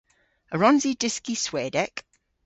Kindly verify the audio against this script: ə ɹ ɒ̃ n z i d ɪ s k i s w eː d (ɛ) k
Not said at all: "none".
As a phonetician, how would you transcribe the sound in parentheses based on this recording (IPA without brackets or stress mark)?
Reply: ɛ